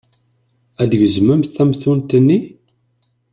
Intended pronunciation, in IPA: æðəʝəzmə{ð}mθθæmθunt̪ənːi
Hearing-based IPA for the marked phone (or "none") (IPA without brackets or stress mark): none